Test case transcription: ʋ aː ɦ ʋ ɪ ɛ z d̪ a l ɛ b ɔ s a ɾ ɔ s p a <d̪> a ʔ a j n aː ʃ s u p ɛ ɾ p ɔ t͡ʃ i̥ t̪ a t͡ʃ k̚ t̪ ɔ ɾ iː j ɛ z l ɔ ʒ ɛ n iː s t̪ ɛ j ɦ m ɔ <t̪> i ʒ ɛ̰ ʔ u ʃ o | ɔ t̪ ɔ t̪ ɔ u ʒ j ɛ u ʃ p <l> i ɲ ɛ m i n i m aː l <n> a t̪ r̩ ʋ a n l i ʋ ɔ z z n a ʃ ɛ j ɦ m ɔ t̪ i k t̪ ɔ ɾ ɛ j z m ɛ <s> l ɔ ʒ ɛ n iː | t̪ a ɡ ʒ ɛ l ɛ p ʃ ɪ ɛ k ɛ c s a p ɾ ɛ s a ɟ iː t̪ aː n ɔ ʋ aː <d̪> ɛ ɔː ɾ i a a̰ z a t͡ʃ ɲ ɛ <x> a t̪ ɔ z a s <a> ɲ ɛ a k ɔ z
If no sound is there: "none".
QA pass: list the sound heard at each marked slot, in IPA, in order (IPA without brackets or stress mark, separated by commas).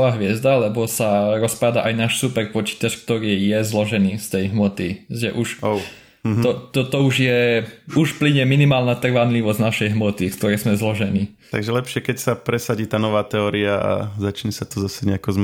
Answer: d̪, t̪, l, n, z, t̪, s, ɛ